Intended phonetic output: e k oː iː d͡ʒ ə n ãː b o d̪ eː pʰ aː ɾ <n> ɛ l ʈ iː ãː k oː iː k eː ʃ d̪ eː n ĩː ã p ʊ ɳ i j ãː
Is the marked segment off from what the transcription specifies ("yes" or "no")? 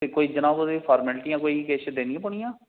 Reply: yes